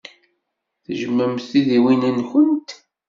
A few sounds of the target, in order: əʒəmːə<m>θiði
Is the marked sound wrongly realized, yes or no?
no